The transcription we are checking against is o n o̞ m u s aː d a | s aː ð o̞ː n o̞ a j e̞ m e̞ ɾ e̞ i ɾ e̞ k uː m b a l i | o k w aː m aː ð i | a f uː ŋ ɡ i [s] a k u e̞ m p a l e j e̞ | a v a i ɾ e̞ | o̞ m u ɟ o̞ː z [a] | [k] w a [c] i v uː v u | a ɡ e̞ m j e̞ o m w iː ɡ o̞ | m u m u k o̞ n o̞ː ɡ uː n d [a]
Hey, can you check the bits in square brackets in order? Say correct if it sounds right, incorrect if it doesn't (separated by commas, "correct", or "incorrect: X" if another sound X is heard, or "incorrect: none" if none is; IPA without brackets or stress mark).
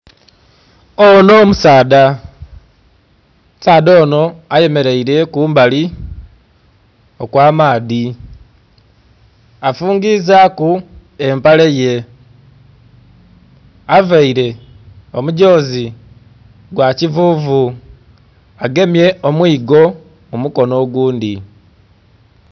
incorrect: z, incorrect: i, incorrect: ɡ, correct, incorrect: i